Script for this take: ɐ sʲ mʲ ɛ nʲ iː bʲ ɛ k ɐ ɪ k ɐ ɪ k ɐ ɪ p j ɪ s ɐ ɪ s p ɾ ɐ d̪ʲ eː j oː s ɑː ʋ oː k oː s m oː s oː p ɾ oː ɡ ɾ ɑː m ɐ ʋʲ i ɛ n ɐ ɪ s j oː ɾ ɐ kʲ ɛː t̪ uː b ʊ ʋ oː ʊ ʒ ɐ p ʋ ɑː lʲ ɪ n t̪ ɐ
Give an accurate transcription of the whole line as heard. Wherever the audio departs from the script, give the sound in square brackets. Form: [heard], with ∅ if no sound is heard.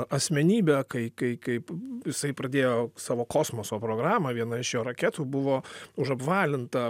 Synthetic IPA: ɐ sʲ mʲ ɛ nʲ iː bʲ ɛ k ɐ ɪ k ɐ ɪ k ɐ ɪ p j ɪ s ɐ ɪ [∅] p ɾ ɐ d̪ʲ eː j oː s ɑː ʋ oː k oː s m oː s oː p ɾ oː ɡ ɾ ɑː m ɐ ʋʲ i ɛ n ɐ ɪ [ʃ] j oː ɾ ɐ kʲ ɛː t̪ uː b ʊ ʋ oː ʊ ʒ ɐ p ʋ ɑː lʲ ɪ n t̪ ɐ

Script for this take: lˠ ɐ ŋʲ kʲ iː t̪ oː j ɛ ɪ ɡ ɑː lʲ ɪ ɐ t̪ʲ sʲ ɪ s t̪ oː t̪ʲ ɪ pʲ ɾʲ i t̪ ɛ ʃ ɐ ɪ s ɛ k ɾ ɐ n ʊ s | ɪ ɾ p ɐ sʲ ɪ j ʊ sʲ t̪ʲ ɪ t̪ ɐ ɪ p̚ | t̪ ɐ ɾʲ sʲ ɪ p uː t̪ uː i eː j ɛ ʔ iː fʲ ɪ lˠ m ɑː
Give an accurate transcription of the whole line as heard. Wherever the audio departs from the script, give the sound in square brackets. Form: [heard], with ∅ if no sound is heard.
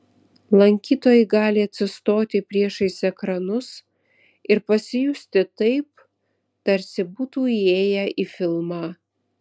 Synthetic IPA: lˠ ɐ ŋʲ kʲ iː t̪ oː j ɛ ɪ ɡ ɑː lʲ ɪ ɐ t̪ʲ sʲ ɪ s t̪ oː t̪ʲ ɪ pʲ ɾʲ i [∅] ɛ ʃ ɐ ɪ s ɛ k ɾ ɐ n ʊ s | ɪ ɾ p ɐ sʲ ɪ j ʊ sʲ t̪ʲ ɪ t̪ ɐ ɪ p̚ | t̪ ɐ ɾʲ sʲ ɪ [b] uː t̪ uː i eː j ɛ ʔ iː fʲ ɪ lˠ m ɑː

